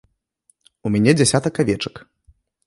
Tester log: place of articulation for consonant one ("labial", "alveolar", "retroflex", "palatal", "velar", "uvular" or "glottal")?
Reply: labial